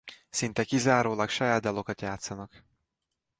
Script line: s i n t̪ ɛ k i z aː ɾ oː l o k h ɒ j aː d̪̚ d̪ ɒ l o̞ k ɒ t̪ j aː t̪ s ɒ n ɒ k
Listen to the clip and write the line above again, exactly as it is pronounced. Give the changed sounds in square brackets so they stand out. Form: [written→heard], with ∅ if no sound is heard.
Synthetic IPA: s i n t̪ ɛ k i z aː ɾ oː l [o→ɒ] k [h→ʃ] ɒ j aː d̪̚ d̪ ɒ l o̞ k ɒ t̪ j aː t̪ s ɒ n ɒ k